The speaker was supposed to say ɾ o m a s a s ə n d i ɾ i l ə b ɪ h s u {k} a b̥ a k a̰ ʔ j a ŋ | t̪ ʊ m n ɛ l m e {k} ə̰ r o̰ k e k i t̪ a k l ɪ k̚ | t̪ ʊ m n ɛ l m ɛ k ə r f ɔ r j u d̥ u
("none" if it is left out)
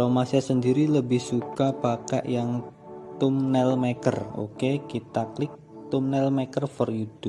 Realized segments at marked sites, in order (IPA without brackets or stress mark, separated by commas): k, k